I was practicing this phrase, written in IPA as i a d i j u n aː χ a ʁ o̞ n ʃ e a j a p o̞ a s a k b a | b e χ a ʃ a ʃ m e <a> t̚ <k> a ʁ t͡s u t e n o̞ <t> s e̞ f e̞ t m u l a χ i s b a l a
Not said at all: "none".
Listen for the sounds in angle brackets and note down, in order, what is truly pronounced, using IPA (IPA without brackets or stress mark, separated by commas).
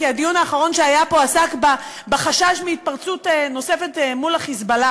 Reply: i, p, none